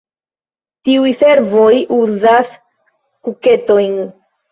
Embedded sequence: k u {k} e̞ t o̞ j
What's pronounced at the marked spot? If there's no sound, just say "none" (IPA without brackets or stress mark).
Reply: k